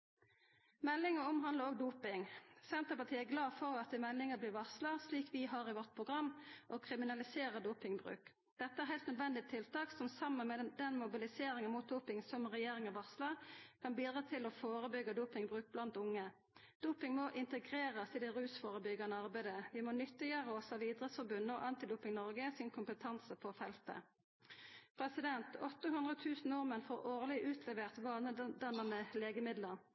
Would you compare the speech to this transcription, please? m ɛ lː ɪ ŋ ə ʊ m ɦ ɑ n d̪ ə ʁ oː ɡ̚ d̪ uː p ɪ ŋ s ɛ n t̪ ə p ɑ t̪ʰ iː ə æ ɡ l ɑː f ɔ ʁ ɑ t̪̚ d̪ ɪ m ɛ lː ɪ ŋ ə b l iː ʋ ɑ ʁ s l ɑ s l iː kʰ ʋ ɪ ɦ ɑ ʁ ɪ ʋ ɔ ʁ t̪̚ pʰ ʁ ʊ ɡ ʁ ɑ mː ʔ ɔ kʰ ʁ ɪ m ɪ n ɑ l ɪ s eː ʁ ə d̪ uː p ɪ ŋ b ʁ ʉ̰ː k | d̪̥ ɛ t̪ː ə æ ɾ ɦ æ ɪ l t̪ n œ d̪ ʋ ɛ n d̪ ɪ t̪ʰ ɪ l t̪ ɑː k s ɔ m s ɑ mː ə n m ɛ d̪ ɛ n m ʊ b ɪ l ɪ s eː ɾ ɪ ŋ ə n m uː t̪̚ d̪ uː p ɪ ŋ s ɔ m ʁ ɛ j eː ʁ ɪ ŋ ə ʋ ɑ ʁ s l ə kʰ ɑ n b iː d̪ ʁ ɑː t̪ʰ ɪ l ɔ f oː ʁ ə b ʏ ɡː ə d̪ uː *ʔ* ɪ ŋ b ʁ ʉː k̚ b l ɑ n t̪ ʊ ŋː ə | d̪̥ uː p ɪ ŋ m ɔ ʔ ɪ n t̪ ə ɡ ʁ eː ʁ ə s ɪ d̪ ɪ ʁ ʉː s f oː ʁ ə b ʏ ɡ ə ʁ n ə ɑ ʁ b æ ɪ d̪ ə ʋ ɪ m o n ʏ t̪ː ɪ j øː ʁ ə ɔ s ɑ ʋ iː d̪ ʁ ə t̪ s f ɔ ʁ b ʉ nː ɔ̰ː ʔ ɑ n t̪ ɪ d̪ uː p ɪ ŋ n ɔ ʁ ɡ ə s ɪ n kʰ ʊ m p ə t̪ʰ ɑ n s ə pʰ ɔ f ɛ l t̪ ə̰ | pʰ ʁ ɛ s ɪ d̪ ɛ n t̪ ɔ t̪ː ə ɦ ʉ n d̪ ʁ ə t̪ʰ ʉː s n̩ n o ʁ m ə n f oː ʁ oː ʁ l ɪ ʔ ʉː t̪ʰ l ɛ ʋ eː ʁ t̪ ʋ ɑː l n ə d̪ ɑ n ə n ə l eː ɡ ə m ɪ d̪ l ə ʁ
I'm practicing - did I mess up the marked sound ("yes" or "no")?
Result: yes